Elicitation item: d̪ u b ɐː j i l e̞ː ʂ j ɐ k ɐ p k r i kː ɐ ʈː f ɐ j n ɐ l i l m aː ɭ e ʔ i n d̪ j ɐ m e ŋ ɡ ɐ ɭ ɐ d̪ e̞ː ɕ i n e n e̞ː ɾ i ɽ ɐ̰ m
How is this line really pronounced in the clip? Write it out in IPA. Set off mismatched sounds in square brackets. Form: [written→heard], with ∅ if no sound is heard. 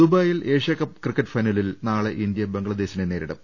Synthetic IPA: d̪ u b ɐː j i l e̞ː ʂ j ɐ k ɐ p k r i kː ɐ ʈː f ɐ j n ɐ l i l [m→n] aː ɭ e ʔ i n d̪ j ɐ [m→b] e ŋ ɡ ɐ ɭ ɐ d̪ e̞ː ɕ i n e n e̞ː ɾ i ɽ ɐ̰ m